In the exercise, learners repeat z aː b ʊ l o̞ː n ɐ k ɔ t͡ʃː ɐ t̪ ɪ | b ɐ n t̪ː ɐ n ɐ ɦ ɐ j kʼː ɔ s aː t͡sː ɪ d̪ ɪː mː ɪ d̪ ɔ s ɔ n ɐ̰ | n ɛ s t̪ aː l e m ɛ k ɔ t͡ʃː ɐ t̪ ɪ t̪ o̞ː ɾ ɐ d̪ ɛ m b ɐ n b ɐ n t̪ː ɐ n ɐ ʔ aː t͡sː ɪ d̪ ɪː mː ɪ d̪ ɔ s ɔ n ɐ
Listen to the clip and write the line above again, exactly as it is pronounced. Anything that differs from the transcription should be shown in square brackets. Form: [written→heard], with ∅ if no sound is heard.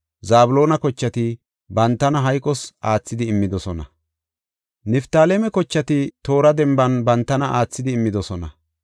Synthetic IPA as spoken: z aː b ʊ l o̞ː n ɐ k ɔ t͡ʃː ɐ t̪ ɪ | b ɐ n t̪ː ɐ n ɐ ɦ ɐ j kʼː ɔ s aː t͡sː ɪ d̪ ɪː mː ɪ d̪ ɔ s ɔ n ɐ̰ | n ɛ [s→f] t̪ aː l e m ɛ k ɔ t͡ʃː ɐ t̪ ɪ t̪ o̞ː ɾ ɐ d̪ ɛ m b ɐ n b ɐ n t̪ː ɐ n ɐ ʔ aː t͡sː ɪ d̪ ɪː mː ɪ d̪ ɔ s ɔ n ɐ